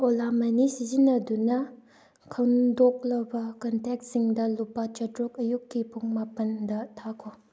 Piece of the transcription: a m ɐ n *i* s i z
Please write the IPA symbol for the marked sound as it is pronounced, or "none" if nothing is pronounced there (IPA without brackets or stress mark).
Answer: i